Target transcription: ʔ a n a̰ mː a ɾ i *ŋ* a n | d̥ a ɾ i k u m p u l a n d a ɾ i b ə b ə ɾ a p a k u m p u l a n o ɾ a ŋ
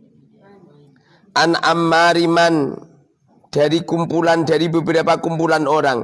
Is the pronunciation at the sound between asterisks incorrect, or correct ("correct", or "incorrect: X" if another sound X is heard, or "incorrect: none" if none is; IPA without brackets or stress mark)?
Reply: incorrect: m